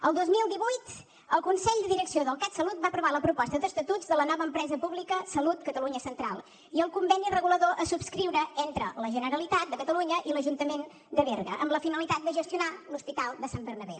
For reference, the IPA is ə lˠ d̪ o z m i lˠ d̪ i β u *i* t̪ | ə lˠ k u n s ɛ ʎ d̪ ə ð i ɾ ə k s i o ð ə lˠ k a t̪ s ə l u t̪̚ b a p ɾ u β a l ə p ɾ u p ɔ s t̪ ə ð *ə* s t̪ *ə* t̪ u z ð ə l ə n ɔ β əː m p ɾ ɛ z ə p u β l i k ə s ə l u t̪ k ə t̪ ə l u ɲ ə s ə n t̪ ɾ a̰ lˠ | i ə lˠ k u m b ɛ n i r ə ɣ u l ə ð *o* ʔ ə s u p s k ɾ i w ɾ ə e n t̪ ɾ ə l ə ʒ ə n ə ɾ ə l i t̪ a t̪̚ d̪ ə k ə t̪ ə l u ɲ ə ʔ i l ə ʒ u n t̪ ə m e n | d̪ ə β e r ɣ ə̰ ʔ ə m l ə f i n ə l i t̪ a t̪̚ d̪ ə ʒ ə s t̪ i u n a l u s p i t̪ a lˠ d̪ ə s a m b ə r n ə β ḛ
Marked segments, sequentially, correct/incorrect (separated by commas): incorrect, correct, correct, correct